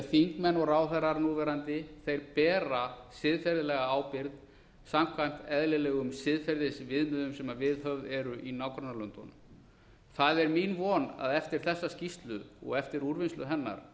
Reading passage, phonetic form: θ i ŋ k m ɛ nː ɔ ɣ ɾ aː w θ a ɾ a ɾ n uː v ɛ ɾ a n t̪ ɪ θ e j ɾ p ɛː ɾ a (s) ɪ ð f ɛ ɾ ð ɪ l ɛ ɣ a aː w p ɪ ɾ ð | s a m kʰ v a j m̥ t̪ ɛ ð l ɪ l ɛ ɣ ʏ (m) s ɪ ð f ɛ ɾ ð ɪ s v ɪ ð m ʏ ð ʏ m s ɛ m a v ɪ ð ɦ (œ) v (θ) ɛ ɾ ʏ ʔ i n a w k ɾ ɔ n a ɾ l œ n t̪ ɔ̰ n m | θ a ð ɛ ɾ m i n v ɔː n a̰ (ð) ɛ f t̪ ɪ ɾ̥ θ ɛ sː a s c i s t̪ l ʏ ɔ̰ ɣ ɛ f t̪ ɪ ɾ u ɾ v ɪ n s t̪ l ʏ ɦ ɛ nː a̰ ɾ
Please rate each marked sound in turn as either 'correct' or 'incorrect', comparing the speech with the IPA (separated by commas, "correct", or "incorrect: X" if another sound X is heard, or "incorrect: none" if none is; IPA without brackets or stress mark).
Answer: correct, correct, correct, incorrect: ð, correct